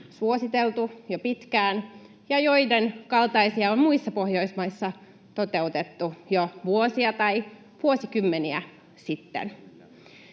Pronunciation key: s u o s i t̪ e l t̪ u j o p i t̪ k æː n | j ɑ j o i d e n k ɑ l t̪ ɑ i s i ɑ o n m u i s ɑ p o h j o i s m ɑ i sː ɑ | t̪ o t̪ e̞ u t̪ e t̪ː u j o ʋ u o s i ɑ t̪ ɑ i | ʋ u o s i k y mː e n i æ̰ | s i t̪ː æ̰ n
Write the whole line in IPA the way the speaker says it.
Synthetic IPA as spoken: s u o s i t̪ e l t̪ u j o p i t̪ k æː n | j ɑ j o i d e n k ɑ l t̪ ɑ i s i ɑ o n m u i sː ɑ p o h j o i s m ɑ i sː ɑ | t̪ o t̪ e̞ u t̪ e t̪ː u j o ʋ u o s i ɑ t̪ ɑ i | ʋ u o s i k y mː e n i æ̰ | s i t̪ː ḛ n